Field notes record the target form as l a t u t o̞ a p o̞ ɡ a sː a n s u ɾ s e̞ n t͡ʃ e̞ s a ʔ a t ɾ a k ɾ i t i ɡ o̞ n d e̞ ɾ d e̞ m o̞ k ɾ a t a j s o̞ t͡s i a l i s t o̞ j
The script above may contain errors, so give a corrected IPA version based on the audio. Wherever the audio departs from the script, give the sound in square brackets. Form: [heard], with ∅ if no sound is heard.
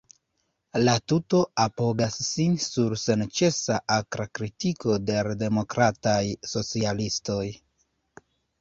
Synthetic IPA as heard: l a t u t o̞ a p o̞ ɡ a sː [i] n s u ɾ s e̞ n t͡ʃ e̞ s a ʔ a [k] ɾ a k ɾ i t i [k] o̞ [∅] d e̞ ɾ d e̞ m o̞ k ɾ a t a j s o̞ t͡s i a l i s t o̞ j